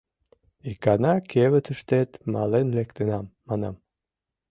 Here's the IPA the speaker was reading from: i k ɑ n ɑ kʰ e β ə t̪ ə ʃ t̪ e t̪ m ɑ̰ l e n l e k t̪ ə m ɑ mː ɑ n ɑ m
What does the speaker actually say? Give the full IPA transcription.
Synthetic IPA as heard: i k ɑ n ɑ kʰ e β ə t̪ ə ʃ t̪ e t̪ m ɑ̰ l e n l e k t̪ ə n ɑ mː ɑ n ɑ m